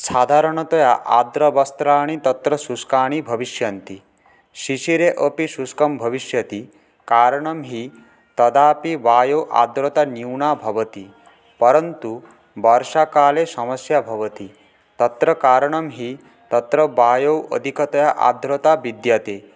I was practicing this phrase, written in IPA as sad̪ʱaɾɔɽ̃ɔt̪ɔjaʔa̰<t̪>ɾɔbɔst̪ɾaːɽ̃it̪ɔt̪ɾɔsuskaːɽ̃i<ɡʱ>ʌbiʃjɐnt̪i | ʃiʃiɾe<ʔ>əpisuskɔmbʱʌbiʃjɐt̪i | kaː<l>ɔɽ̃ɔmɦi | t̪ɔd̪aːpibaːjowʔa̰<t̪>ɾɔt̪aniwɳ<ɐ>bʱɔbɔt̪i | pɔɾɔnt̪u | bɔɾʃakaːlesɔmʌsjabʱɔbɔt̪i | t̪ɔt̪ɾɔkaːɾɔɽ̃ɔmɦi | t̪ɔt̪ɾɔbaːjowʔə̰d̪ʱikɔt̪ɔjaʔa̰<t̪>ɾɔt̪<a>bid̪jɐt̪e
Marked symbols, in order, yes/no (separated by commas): no, no, yes, no, no, no, no, yes